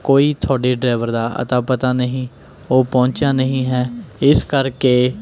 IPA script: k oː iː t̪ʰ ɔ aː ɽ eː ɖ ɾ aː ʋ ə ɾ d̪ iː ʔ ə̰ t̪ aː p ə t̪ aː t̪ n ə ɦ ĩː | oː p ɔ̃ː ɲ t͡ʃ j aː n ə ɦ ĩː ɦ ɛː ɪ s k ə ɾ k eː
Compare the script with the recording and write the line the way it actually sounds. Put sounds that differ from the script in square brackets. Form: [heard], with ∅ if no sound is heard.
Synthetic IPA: k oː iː t̪ʰ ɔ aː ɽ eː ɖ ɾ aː ʋ ə ɾ d̪ [aː] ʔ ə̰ t̪ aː p ə t̪ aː [∅] n ə ɦ ĩː | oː p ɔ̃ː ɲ t͡ʃ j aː n ə ɦ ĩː ɦ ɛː ɪ s k ə ɾ k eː